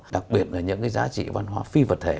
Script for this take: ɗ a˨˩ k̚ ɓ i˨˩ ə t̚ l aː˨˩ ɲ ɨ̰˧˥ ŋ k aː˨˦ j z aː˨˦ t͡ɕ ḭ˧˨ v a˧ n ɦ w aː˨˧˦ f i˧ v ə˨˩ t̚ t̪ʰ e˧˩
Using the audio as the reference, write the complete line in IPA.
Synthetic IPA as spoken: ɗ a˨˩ k̚ ɓ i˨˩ ə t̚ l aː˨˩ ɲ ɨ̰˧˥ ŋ k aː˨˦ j z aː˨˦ t͡ɕ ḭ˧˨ v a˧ n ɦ w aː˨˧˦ f i˧ v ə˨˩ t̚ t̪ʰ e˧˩

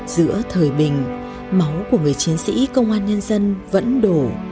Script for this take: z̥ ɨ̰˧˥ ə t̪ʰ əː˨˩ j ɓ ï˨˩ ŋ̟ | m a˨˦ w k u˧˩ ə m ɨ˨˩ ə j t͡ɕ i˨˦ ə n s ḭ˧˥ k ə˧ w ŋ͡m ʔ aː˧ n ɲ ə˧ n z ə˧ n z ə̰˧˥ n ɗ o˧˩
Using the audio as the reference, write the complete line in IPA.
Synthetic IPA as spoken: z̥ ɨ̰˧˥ ə t̪ʰ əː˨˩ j ɓ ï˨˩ ŋ̟ | m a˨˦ w k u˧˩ ə ŋ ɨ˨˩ ə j t͡ɕ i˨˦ ə n s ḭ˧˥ k ə˧ w ŋ͡m ʔ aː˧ n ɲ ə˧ n z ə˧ n v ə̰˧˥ n ɗ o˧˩

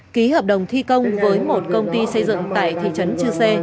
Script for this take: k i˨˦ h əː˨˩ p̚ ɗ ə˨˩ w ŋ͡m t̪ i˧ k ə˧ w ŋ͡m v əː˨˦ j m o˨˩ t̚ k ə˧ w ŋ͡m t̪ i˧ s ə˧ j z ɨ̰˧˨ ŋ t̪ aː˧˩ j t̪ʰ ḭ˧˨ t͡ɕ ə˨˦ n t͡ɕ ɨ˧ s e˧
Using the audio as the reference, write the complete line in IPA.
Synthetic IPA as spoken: k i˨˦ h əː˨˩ p̚ ɗ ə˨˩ w ŋ͡m t̪ʰ i˧ k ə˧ w ŋ͡m v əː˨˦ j m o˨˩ t̚ k ə˧ w ŋ͡m t̪ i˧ s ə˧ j z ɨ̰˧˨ ŋ t̪ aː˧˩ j t̪ʰ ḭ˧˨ t͡ɕ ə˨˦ n t͡ɕ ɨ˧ s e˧

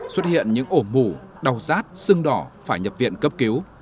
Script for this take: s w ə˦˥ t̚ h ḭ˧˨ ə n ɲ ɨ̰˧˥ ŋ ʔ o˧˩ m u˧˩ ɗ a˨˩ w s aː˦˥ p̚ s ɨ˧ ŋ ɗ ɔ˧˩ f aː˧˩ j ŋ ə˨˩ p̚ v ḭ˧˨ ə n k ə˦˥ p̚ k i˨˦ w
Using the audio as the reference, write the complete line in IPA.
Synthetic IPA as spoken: s w ə˦˥ t̚ h ḭ˧˨ ə n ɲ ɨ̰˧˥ ŋ ʔ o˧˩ m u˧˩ ɗ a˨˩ w z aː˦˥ t̚ s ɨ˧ ŋ ɗ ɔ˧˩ f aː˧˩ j ɲ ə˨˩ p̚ v ḭ˧˨ ə n k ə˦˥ p̚ k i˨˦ w

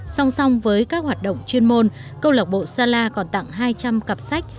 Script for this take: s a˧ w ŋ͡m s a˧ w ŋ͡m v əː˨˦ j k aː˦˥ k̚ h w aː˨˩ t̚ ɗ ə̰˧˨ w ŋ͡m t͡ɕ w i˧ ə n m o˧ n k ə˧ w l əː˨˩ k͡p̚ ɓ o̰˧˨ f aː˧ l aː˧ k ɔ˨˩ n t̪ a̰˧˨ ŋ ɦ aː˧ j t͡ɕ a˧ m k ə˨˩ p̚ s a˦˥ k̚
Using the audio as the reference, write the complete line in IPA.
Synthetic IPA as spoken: s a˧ w ŋ͡m s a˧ w ŋ͡m v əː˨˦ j k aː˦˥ k̚ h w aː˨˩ t̚ ɗ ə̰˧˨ w ŋ͡m t͡ɕ w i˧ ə n m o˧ n k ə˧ w l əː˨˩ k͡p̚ ɓ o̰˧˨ s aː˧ l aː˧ k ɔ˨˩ n t̪ a̰˧˨ ŋ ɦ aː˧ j t͡ɕ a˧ m k ə˨˩ p̚ s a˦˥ k̚

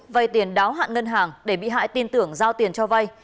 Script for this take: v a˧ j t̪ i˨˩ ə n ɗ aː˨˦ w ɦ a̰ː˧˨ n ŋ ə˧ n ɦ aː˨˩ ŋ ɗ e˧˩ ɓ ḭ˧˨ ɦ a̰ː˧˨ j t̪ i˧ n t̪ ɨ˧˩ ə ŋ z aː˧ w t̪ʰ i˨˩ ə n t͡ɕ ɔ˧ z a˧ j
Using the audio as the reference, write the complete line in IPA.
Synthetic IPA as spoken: v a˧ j t̪ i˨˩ ə n ɗ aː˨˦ w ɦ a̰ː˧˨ n ŋ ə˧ n ɦ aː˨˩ ŋ ɗ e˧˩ ɓ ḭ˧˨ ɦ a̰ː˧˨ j t̪ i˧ n t̪ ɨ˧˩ ə ŋ z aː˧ w t̪ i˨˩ ə n t͡ɕ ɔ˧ v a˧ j

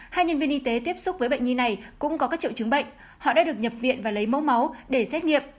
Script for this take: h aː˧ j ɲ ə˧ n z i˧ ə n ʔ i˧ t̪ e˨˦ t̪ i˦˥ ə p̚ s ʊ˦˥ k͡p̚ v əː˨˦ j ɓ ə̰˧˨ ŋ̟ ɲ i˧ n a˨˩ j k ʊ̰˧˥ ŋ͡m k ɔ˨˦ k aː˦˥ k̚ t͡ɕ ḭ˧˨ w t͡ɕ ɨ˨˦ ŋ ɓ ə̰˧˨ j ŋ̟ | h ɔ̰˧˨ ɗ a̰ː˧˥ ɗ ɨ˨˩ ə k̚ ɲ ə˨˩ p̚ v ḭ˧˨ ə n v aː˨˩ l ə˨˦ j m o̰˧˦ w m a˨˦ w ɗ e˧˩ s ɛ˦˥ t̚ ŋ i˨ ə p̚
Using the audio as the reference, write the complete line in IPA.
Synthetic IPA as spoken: h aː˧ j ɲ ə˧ n v i˧ ə n ʔ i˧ t̪ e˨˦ t̪ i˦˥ ə p̚ s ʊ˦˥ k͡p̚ v əː˨˦ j ɓ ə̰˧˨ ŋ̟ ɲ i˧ n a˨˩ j k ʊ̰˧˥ ŋ͡m k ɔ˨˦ k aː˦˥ k̚ t͡ɕ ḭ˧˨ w t͡ɕ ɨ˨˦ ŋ ɓ ə̰˧˨ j ŋ̟ | h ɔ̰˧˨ ɗ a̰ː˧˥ ɗ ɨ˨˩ ə k̚ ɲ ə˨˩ p̚ v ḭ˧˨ ə n v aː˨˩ l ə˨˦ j m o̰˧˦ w m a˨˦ w ɗ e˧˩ s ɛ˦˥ t̚ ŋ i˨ ə p̚

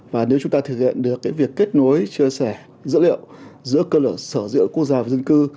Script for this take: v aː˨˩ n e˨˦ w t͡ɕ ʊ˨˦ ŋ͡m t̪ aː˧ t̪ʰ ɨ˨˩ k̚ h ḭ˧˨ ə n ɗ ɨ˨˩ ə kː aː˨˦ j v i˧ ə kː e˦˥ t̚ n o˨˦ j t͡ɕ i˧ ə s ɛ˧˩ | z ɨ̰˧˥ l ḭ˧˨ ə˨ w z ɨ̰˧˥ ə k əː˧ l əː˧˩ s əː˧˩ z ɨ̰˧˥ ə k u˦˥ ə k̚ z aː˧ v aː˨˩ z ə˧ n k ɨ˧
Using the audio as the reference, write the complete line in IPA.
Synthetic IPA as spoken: v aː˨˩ n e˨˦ w t͡ɕ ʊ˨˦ ŋ͡m t̪ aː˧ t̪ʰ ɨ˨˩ k̚ h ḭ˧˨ ə n ɗ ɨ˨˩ ə kː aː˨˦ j v i˨˩ ə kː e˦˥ t̚ n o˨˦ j t͡ɕ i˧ ə s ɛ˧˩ | z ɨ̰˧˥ l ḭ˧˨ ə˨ w z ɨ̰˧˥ ə k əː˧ l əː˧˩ s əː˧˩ z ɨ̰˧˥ ə k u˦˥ ə k̚ z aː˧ v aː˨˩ z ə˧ n k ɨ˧

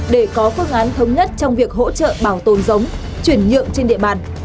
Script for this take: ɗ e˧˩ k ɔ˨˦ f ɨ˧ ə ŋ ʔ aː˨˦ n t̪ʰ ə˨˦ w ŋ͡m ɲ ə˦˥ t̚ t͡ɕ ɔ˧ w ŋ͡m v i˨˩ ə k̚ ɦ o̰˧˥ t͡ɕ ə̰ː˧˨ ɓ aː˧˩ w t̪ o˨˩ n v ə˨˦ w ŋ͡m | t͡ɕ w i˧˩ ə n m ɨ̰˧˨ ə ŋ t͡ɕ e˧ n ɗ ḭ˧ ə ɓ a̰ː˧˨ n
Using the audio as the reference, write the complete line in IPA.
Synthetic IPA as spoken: ɗ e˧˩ k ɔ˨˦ f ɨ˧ ə ŋ ʔ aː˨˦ n t̪ʰ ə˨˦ w ŋ͡m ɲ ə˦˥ t̚ t͡ɕ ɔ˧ w ŋ͡m v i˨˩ ə k̚ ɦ o̰˧˥ t͡ɕ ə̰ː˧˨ ɓ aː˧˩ w t̪ o˨˩ n z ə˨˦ w ŋ͡m | t͡ɕ w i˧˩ ə n ɲ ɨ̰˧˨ ə ŋ t͡ɕ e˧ n ɗ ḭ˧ ə ɓ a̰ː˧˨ n

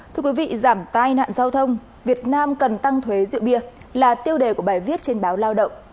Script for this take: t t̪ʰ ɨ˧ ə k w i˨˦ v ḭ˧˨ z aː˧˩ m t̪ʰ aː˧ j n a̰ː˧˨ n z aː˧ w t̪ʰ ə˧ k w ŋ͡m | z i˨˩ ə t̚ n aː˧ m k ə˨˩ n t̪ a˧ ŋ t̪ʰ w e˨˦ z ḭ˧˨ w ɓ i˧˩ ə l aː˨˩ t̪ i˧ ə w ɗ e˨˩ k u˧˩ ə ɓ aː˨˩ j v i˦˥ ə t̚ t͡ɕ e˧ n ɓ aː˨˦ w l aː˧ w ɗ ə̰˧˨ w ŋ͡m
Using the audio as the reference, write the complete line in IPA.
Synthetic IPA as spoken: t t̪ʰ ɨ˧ ə k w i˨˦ v ḭ˧˨ z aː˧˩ m t̪ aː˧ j n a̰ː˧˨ n z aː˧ w t̪ʰ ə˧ w ŋ͡m | v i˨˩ ə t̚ n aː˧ m k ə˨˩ n t̪ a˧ ŋ t̪ʰ w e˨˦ z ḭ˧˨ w ɓ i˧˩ ə l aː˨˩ t̪ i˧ ə w ɗ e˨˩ k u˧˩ ə ɓ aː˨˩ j v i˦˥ ə t̚ t͡ɕ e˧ n ɓ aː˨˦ w l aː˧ w ɗ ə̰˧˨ w ŋ͡m

